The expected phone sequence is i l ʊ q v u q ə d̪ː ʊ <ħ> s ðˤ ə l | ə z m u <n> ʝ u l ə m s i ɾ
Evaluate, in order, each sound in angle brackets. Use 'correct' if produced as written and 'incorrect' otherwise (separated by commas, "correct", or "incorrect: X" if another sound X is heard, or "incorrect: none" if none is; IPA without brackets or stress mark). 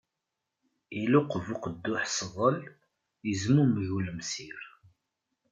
correct, incorrect: m